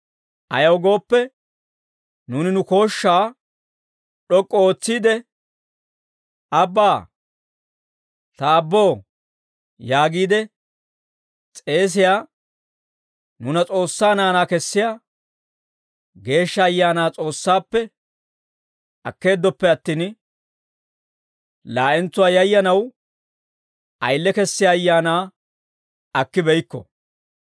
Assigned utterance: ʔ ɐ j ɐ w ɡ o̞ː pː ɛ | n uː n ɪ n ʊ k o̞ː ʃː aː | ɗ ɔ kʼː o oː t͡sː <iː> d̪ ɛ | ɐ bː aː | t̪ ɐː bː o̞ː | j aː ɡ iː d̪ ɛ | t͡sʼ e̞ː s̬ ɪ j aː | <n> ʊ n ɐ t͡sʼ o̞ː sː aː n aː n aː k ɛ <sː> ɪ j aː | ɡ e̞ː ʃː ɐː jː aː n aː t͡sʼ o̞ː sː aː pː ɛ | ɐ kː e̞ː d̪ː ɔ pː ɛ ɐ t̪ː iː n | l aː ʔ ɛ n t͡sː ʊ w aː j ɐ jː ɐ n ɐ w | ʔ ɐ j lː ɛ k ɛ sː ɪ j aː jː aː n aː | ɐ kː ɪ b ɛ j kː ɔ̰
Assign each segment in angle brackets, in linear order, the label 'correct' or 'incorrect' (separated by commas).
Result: correct, correct, correct